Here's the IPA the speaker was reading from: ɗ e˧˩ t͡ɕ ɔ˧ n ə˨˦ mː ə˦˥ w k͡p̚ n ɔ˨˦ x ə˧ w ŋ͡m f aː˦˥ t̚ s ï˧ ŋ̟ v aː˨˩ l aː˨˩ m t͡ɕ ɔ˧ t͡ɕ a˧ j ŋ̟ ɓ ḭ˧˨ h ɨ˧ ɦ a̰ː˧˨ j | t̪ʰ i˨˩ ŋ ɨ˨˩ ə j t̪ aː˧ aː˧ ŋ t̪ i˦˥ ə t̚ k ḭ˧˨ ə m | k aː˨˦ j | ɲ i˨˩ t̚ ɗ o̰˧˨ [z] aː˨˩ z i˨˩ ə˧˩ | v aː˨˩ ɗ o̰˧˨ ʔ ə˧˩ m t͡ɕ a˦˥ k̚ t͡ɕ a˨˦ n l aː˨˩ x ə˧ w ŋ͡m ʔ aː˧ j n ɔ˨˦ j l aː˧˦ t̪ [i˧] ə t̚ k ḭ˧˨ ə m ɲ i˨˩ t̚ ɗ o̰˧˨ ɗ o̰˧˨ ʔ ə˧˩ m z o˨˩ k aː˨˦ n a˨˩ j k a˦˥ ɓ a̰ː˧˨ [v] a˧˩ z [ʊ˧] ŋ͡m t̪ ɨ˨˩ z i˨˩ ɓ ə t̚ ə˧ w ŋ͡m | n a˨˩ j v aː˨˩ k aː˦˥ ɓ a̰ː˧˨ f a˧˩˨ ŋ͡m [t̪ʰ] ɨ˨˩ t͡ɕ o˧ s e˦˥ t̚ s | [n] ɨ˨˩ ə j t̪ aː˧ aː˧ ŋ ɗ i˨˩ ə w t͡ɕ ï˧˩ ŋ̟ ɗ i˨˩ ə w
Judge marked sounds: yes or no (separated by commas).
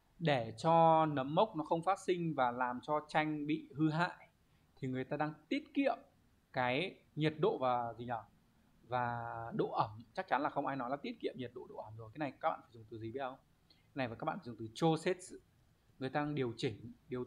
no, no, no, no, no, no